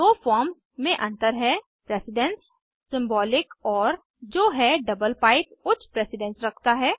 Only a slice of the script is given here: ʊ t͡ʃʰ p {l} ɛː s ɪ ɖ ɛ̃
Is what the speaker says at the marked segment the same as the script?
no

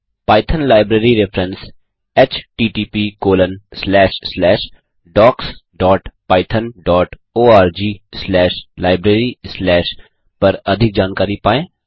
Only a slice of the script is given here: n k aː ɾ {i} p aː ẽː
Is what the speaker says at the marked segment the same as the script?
yes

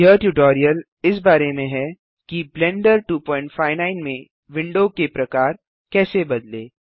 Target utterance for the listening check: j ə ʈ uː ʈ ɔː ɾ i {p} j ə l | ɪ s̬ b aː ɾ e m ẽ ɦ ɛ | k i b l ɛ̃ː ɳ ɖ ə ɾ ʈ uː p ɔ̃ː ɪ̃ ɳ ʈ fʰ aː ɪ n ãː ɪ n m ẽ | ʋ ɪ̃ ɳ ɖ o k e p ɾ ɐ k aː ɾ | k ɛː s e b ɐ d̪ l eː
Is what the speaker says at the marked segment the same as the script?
no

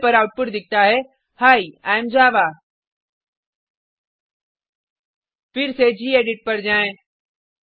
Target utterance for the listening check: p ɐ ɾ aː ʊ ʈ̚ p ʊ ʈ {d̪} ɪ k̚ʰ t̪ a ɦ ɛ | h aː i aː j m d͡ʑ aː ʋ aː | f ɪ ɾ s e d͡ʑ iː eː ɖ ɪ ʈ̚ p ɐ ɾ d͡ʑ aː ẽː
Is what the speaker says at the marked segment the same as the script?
yes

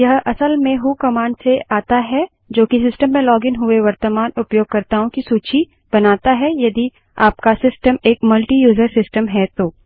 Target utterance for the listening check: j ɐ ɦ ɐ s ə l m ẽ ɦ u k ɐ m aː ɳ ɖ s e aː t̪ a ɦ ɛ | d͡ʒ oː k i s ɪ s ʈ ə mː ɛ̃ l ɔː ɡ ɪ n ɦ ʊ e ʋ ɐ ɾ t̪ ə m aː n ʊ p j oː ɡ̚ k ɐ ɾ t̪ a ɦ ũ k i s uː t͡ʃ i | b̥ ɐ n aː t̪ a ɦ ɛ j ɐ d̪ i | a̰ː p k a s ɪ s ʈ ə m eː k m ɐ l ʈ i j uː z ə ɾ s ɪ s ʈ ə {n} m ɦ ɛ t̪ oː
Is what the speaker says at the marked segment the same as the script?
no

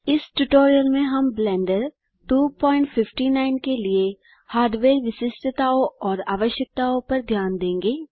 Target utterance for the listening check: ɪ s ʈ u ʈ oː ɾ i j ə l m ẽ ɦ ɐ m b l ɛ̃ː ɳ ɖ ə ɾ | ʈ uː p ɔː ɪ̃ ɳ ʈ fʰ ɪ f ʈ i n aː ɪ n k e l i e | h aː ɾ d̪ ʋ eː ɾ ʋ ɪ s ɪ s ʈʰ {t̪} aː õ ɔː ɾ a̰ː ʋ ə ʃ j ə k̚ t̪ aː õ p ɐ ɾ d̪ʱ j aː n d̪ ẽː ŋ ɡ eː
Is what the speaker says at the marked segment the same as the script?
yes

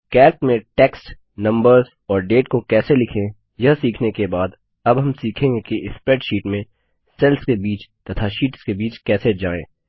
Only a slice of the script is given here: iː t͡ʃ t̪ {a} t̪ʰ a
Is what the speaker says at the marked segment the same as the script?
no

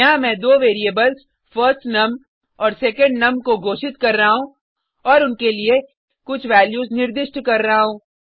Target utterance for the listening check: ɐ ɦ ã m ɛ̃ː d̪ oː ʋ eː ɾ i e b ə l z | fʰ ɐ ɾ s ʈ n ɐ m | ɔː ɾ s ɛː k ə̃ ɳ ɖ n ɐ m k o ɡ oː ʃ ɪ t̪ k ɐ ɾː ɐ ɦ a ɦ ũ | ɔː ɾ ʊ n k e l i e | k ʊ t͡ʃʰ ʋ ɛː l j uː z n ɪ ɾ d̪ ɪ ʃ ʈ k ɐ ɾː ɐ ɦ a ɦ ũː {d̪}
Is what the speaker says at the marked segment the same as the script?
no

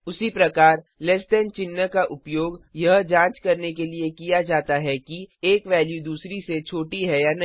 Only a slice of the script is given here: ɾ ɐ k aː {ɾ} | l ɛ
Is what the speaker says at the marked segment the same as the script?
yes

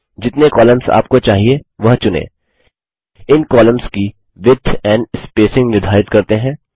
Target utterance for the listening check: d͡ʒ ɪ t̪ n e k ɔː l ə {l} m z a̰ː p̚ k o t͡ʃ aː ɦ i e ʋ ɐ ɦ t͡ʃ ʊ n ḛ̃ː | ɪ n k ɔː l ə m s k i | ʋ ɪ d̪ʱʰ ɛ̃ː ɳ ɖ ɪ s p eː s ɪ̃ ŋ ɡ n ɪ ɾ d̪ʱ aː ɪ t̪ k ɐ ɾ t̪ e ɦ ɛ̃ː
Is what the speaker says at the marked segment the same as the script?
no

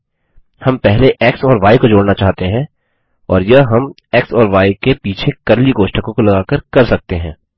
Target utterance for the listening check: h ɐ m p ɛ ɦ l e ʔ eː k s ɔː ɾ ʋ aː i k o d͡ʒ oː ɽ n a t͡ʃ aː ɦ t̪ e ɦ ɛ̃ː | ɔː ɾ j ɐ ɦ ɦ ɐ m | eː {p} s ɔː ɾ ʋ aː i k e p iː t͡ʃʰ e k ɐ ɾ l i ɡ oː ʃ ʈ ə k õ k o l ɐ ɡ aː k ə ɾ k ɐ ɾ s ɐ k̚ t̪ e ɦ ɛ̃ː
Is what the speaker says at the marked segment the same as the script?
no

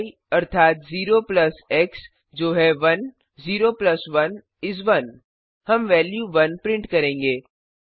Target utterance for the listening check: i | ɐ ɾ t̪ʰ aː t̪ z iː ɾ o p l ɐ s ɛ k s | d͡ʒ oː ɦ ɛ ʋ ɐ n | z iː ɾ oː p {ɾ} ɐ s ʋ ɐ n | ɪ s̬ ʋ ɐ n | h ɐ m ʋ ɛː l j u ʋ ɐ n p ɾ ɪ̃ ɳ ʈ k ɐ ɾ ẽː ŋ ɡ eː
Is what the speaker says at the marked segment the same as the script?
no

